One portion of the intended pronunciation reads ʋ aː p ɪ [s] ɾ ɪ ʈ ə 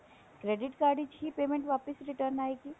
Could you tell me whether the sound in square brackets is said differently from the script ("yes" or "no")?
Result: no